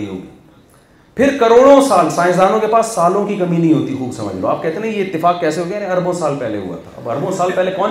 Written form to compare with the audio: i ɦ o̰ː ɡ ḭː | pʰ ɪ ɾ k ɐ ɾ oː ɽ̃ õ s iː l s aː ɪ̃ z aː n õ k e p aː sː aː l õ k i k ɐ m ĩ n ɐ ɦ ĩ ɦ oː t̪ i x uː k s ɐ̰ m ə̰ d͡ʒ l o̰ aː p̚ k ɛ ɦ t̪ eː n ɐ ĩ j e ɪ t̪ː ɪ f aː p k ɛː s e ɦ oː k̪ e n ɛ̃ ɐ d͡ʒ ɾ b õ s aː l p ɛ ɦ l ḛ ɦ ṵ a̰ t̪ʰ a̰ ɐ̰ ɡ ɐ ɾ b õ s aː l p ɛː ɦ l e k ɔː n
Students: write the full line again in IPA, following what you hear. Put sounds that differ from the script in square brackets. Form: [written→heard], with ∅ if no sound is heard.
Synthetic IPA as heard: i ɦ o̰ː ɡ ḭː | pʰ ɪ ɾ k ɐ ɾ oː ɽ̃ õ s [iː→aː] l s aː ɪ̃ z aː n õ k e p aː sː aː l õ k i k ɐ m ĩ n ɐ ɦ ĩ ɦ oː t̪ i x uː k s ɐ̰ m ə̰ d͡ʒ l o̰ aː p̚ k ɛ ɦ t̪ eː n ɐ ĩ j e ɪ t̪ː ɪ f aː [p→k] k ɛː s e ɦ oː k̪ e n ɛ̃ ɐ [d͡ʒ→∅] ɾ b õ s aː l p ɛ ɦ l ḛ ɦ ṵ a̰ t̪ʰ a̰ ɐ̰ [ɡ→b] ɐ ɾ b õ s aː l p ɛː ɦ l e k ɔː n